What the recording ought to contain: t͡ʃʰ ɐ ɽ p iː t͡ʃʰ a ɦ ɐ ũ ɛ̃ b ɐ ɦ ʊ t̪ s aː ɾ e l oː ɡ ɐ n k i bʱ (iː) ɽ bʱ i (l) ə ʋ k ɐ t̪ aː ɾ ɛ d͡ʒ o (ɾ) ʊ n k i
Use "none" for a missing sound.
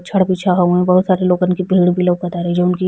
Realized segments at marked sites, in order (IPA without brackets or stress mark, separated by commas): iː, l, none